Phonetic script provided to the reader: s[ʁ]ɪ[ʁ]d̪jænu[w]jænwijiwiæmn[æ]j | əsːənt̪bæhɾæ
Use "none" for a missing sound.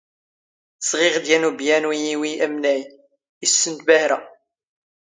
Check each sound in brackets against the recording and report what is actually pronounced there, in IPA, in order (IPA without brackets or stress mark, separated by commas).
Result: ʁ, ʁ, b, æ